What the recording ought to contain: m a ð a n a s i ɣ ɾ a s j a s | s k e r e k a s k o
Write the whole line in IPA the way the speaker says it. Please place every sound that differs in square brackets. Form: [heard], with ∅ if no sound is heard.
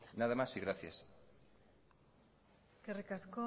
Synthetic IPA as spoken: [n] a ð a [m] a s i ɣ ɾ a [θ] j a s | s k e r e k a s k o